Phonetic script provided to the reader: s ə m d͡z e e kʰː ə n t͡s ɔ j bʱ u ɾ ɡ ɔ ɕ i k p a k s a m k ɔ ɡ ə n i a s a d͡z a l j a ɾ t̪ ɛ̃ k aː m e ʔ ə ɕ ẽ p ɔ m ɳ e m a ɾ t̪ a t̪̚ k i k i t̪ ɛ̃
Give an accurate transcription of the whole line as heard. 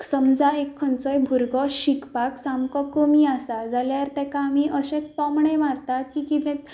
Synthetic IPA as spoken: s ə m d͡z a e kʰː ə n t͡s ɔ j bʱ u ɾ ɡ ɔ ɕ i k p a k s a m k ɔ k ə m i a s a d͡z a l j a ɾ t̪ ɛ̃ k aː m i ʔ ə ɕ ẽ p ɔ m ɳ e m a ɾ t̪ a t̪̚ k i k i t̪ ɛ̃

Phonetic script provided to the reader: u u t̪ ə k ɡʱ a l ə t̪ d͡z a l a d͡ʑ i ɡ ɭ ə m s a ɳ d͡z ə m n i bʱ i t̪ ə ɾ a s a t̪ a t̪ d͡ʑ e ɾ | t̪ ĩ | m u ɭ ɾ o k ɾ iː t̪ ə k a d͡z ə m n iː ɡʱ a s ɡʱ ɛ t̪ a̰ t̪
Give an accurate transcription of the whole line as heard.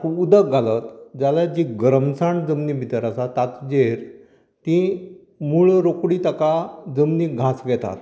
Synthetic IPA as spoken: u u d̪ ə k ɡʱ a l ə t̪ d͡z a l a d͡ʑ i ɡ ɾ ə m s a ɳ d͡z ə m n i bʱ i t̪ ə ɾ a s a t̪ a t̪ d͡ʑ e ɾ | t̪ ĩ | m u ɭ ɾ o k ɽ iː t̪ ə k a d͡z ə m n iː ɡʱ a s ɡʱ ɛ t̪ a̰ t̪

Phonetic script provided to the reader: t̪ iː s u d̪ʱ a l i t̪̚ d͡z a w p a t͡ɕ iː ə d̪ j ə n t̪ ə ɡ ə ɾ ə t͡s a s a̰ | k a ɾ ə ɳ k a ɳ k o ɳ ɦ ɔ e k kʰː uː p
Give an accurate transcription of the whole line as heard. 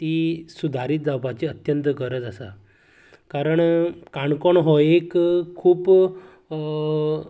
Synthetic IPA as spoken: t̪ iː s u d̪ʱ a ɾ i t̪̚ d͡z a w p a t͡ɕ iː ə t̪ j ə n t̪ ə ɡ ə ɾ ə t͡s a s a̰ | k a ɾ ə ɳ k a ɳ k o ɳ ɦ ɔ e k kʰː uː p

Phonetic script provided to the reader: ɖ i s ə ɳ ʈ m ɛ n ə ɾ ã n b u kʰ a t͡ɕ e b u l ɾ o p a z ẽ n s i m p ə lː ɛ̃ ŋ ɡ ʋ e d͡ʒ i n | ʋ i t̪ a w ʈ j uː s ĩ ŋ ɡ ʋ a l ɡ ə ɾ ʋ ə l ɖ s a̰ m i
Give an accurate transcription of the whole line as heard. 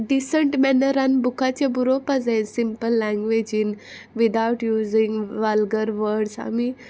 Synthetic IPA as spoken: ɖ i s ə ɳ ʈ m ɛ n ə ɾ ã n b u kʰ a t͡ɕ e b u ɾ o p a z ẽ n s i m p ə lː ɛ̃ ŋ ɡ ʋ e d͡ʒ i n | ʋ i d̪ a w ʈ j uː z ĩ ŋ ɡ ʋ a l ɡ ə ɾ ʋ ə ɾ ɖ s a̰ m i

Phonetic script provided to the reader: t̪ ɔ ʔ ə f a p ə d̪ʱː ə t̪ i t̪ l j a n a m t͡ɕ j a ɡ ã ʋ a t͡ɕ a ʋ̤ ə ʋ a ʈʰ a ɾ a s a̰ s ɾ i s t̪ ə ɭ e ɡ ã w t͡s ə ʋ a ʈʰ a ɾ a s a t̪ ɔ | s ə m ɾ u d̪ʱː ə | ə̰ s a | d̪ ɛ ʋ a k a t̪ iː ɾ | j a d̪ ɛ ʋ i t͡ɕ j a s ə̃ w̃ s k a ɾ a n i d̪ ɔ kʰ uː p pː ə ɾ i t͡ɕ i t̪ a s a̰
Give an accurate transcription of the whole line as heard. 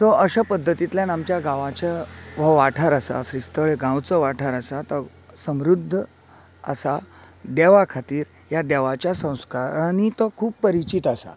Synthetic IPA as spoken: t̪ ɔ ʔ ə ɕ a p ə d̪ʱː ə t̪ i t̪ l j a n a m t͡ɕ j a ɡ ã ʋ a t͡ɕ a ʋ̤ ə ʋ a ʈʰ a ɾ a s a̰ s ɾ i s t̪ ə ɭ e ɡ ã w t͡s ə ʋ a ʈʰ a ɾ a s a t̪ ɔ | s ə m ɾ u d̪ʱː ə | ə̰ s a | d̪ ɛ ʋ a kʰ a t̪ iː ɾ | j a d̪ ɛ ʋ a t͡ɕ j a s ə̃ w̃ s k a ɾ a n i t̪ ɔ kʰ uː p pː ə ɾ i t͡ɕ i t̪ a s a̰

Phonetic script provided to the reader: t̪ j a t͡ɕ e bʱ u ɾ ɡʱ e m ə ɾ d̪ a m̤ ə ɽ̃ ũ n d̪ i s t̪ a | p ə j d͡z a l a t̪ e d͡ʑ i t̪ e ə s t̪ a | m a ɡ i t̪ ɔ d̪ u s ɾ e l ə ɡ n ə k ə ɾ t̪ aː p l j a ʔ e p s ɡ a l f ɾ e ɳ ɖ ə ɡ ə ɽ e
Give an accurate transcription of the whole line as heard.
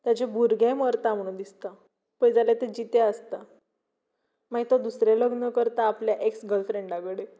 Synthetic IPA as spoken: t̪ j a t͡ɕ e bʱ u ɾ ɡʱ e m ə ɾ t̪ a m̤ ə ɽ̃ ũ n d̪ i s t̪ a | p ə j d͡z a l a t̪ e d͡ʑ i t̪ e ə s t̪ a | m a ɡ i t̪ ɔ d̪ u s ɾ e l ə ɡ n ə k ə ɾ t̪ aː p l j a ʔ e k s ɡ ə l f ɾ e ɳ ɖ a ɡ ə ɽ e

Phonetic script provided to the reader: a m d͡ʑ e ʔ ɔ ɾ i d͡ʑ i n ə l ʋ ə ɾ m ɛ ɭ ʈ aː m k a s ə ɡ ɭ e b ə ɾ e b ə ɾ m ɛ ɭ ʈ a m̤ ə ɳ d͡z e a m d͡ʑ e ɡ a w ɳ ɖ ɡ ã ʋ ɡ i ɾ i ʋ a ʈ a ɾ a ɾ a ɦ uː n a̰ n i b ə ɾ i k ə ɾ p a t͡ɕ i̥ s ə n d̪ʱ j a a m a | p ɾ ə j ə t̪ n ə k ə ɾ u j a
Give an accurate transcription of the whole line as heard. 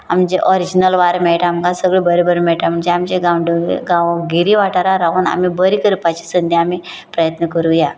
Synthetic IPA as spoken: a m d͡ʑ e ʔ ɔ ɾ i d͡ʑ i n ə l ʋ a ɾ m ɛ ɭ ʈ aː m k a s ə ɡ ɭ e b ə ɾ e b ə ɾ m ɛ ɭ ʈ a m̤ ə ɳ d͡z e a m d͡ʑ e ɡ a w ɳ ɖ ɡ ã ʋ ɡ i ɾ i ʋ a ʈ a ɾ a ɾ a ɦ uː n a̰ m i b ə ɾ i k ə ɾ p a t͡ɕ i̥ s ə n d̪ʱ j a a m i | p ɾ ə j ə t̪ n ə k ə ɾ u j a

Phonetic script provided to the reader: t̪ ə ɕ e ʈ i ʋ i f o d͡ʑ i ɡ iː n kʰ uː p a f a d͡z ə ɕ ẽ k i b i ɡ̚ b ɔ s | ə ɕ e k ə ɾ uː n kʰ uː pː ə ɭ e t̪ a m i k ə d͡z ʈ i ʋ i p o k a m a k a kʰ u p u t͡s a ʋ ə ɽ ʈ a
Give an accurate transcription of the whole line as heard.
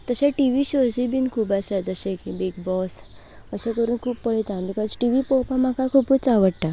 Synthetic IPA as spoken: t̪ ə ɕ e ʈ i ʋ i ɕ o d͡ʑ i b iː n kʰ uː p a s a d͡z ə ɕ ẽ k i b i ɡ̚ b ɔ s | ə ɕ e k ə ɾ uː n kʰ uː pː ə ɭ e t̪ a m i k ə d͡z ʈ i ʋ i p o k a m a k a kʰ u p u t͡s a ʋ ə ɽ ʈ a

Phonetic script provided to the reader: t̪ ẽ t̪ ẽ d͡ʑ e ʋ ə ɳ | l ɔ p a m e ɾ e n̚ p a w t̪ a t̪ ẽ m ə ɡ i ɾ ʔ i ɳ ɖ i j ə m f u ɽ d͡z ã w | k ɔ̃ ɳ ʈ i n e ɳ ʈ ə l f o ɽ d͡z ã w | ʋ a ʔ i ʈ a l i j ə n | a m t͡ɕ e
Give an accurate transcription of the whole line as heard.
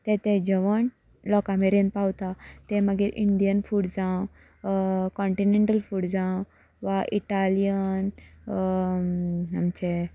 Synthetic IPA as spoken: t̪ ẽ t̪ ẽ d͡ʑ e ʋ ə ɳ | l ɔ k a m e ɾ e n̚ p a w t̪ a t̪ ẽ m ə ɡ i ɾ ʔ i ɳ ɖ i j ə n f u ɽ d͡z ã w | k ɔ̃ ɳ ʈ i n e ɳ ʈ ə l f u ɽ d͡z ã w | ʋ a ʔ i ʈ a l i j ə n | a m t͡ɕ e

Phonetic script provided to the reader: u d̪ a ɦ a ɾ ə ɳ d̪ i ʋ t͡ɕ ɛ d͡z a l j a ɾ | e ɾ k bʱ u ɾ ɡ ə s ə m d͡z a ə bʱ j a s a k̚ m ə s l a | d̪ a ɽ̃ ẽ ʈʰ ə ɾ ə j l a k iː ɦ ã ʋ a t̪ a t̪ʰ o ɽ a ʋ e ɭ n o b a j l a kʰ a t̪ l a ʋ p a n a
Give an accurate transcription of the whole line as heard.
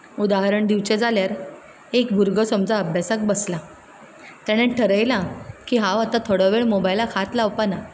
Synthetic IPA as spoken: u d̪ a ɦ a ɾ ə ɳ d̪ i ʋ t͡ɕ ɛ d͡z a l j a ɾ | e k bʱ u ɾ ɡ ə s ə m d͡z a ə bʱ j a s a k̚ b ə s l a | t̪ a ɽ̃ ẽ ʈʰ ə ɾ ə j l a k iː ɦ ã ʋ a t̪ a t̪ʰ o ɽ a ʋ e ɭ m o b a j l a kʰ a t̪ l a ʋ p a n a

